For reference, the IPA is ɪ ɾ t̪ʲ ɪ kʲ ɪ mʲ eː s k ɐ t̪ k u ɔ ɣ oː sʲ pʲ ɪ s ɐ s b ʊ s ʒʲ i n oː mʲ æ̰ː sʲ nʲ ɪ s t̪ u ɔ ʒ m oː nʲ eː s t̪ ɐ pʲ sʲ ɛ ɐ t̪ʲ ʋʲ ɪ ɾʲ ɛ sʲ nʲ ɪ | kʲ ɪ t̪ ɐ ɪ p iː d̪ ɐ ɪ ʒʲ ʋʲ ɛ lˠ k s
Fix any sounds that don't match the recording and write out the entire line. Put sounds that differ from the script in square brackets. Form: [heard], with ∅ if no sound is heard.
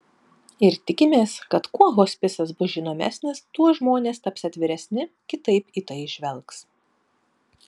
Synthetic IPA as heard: ɪ ɾ t̪ʲ ɪ kʲ ɪ mʲ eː s k ɐ t̪ k u ɔ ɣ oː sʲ pʲ ɪ s ɐ s b ʊ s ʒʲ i n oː mʲ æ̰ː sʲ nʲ ɪ s t̪ u ɔ ʒ m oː nʲ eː s t̪ ɐ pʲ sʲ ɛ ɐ t̪ʲ ʋʲ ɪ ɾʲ ɛ sʲ nʲ ɪ | kʲ ɪ t̪ ɐ ɪ p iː [t̪] ɐ ɪ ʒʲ ʋʲ ɛ lˠ k s